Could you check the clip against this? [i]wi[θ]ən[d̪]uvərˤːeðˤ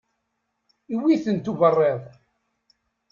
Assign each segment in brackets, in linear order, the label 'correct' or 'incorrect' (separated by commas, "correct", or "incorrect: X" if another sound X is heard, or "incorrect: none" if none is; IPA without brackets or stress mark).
correct, correct, incorrect: t̪